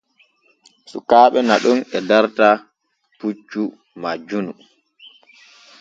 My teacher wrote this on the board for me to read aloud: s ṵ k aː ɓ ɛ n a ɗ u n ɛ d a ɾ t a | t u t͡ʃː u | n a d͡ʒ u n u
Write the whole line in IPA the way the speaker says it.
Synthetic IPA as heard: s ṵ k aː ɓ ɛ n a ɗ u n ɛ d a ɾ t a | p u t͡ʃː u | m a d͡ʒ u n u